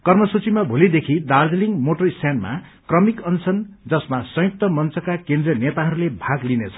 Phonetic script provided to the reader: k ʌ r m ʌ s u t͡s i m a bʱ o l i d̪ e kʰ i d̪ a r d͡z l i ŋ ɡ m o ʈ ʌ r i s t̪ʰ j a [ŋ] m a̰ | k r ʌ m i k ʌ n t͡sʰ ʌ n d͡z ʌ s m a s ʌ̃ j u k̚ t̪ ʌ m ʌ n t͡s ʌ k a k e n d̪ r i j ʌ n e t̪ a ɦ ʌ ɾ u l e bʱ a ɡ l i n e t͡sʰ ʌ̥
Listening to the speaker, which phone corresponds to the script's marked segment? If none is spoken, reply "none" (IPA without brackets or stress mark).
n